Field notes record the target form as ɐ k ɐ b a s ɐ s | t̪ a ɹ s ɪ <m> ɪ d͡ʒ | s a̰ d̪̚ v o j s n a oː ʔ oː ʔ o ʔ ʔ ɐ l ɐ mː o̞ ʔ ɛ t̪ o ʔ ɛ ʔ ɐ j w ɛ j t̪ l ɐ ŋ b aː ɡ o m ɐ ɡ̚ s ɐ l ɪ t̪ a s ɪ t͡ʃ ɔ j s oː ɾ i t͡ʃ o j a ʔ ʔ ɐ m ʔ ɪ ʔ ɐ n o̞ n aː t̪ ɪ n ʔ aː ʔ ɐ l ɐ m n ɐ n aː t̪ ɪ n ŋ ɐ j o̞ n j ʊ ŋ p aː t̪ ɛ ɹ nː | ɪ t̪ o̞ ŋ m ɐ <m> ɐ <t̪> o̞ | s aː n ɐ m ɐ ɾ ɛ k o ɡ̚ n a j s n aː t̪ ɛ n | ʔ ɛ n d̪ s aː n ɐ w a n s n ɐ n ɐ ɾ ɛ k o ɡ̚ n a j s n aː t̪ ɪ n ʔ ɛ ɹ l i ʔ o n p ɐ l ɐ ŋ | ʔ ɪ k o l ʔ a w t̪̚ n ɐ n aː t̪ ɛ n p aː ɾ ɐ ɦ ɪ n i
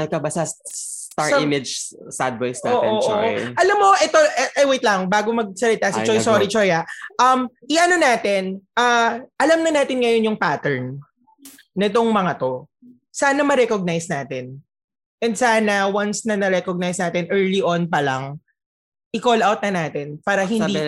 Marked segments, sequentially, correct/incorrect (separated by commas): correct, incorrect, correct